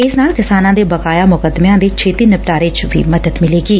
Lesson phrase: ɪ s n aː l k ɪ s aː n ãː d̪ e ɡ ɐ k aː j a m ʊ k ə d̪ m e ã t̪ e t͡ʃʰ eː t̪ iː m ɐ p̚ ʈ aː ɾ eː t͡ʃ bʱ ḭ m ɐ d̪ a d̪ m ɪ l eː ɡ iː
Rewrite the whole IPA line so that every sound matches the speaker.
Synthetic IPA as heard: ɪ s n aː l k ɪ s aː n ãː d̪ e b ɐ k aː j a m ʊ k ə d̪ m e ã d̪ e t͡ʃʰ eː t̪ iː n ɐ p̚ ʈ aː ɾ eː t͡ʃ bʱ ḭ m ɐ d̪ ə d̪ m ɪ l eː ɡ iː

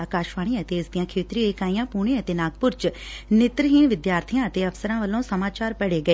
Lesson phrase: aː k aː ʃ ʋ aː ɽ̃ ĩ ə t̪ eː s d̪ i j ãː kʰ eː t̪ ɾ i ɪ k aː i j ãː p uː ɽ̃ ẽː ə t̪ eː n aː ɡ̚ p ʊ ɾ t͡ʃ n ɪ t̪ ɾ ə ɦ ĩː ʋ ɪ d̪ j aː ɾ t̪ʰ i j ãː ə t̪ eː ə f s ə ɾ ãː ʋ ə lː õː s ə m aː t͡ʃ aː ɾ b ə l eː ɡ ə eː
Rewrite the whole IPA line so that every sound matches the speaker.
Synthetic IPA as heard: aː k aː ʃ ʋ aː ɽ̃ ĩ ə t̪ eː s d̪ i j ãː kʰ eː t̪ ɾ i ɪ k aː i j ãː p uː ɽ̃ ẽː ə t̪ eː n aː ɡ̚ p ʊ ɾ t͡ʃ n ɪ t̪ ɾ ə ɦ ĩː ʋ ɪ d̪ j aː ɾ t̪ʰ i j ãː ə t̪ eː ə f s ə ɾ ãː ʋ ə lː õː s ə m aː t͡ʃ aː ɾ p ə ɽ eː ɡ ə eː

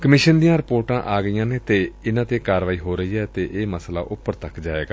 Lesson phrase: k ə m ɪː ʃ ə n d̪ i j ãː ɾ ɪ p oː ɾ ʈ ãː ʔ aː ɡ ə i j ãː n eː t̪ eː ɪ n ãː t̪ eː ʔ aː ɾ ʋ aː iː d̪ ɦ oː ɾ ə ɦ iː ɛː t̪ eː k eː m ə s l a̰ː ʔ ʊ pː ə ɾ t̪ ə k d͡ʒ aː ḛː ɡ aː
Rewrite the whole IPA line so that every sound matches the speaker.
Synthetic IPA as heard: k ə m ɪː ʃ ə n d̪ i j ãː ɾ ɪ p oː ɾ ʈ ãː ʔ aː ɡ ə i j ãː n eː t̪ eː ɪ n ãː t̪ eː k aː ɾ ʋ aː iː ɦ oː ɾ ə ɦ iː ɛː t̪ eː ʔ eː m ə s l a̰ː ʔ ʊ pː ə ɾ t̪ ə k d͡ʒ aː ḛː ɡ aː

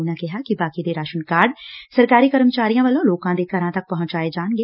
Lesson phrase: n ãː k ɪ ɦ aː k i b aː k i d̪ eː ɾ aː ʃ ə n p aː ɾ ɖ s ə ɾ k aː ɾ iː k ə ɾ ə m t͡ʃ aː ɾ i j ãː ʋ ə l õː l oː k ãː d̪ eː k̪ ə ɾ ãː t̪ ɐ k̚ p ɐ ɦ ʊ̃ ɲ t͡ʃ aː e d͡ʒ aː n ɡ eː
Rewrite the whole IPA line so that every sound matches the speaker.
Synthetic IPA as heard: n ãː k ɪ ɦ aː k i b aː k i d̪ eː ɾ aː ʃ ə n k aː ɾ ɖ s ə ɾ k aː ɾ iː k ə ɾ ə m t͡ʃ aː ɾ i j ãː ʋ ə l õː l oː k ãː d̪ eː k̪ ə ɾ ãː t̪ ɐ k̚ p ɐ ɦ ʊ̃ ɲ t͡ʃ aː e d͡ʒ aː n ɡ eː

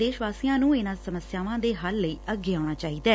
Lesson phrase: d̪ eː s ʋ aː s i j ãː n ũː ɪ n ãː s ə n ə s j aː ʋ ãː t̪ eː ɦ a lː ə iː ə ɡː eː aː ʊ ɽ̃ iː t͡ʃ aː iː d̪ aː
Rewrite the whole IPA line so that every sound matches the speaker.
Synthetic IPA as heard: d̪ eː ʃ ʋ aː s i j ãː n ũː ɪ n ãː s ə m ə s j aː ʋ ãː d̪ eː ɦ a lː ə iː ə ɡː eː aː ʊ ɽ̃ aː t͡ʃ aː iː d̪ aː

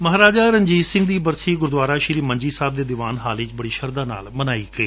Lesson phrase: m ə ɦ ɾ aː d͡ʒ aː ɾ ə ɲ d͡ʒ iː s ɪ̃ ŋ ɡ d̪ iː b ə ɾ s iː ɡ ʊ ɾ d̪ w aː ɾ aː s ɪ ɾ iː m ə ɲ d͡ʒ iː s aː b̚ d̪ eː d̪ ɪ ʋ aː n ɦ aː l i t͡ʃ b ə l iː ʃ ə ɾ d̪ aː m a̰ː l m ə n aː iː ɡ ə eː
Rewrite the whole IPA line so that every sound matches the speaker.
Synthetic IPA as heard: m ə ɦ ɾ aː d͡ʒ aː ɾ ə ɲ d͡ʒ iː s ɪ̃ ŋ ɡ d̪ iː b ə ɾ s iː ɡ ʊ ɾ d̪ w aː ɾ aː ʃ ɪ ɾ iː m ə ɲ d͡ʒ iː s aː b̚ d̪ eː d̪ ɪ ʋ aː n ɦ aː l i t͡ʃ b ə ɽ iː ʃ ə ɾ d̪ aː n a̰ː l m ə n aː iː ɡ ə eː

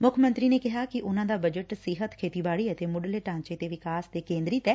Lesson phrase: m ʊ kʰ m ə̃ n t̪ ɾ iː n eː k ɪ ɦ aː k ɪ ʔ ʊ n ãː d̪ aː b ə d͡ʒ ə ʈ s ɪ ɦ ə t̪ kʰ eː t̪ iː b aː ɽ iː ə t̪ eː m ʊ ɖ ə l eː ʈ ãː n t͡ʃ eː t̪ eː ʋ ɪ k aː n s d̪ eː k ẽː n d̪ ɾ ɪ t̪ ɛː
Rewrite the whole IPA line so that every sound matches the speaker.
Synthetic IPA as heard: m ʊ kʰ m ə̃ n t̪ ɾ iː n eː k ɪ ɦ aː k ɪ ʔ ʊ n ãː d̪ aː b ə d͡ʒ ə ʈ s ɪ ɦ ə t̪ kʰ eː t̪ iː b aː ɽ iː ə t̪ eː m ʊ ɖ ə l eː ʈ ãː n t͡ʃ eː t̪ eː ʋ ɪ k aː s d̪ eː k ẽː n d̪ ɾ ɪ t̪ ɛː

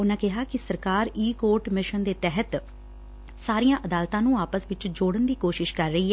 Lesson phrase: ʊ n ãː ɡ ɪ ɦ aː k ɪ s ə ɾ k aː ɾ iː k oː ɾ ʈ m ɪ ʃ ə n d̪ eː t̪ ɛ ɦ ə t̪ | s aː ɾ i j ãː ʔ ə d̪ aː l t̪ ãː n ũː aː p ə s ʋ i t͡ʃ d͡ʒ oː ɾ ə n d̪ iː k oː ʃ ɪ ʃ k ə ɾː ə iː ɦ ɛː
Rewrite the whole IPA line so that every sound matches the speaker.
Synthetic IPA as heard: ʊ n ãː k ɪ ɦ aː k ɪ s ə ɾ k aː ɾ iː k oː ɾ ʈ m ɪ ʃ ə n d̪ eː t̪ ɛ ɦ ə t̪ | s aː ɾ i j ãː ʔ ə d̪ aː l t̪ ãː n ũː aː p ə s ʋ ɪ t͡ʃ d͡ʒ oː ɽ ə n d̪ iː k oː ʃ ɪ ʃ k ə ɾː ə iː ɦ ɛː

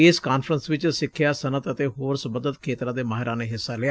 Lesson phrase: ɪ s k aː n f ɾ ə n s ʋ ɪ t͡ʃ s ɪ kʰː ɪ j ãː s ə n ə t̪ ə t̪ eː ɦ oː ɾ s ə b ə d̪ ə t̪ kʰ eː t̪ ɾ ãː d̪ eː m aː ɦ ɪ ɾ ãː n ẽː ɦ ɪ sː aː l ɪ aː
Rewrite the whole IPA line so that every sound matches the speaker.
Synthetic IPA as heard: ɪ s k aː n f ɾ ə n s ʋ ɪ t͡ʃ s ɪ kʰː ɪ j aː s ə n ə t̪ ə t̪ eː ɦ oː ɾ s ə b ə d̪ ə t̪ kʰ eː t̪ ɾ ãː d̪ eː m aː ɦ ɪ ɾ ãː n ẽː ɦ ɪ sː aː l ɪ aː

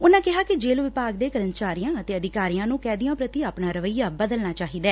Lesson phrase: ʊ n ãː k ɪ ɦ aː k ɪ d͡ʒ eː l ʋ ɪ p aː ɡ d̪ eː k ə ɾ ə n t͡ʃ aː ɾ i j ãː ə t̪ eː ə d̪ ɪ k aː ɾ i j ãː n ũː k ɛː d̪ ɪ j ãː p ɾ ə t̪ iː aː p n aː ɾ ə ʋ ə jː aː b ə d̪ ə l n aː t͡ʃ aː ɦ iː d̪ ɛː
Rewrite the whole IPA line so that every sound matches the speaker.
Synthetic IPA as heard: ʊ n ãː k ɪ ɦ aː k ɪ d͡ʒ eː l ʋ ɪ p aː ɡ d̪ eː k ə ɾ ə n t͡ʃ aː ɾ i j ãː ə t̪ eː ə d̪ ɪ k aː ɾ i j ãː n ũː k ɛː d̪ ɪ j ãː p ɾ ə t̪ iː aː p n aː ɾ ə ʋ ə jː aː b ə d̪ ə l n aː t͡ʃ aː ɦ iː d̪ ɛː

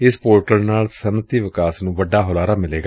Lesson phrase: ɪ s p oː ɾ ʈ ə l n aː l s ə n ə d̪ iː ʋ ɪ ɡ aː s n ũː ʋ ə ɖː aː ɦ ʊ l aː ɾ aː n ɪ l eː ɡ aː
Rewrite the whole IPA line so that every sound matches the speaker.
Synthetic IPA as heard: ɪ s p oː ɾ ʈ ə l n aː l s ə n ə t̪ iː ʋ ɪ k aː s n ũː ʋ ə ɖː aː ɦ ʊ l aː ɾ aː m ɪ l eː ɡ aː

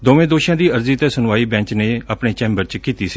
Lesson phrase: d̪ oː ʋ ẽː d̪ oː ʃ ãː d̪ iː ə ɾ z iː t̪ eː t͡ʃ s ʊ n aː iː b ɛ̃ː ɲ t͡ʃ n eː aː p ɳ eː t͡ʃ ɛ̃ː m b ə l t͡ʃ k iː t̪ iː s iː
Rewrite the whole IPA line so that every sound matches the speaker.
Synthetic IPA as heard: d̪ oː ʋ ẽː d̪ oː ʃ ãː d̪ iː ə ɾ z iː t̪ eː s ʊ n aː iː b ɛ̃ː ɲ t͡ʃ n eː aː p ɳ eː t͡ʃ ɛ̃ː m b ə ɾ t͡ʃ k iː t̪ iː s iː

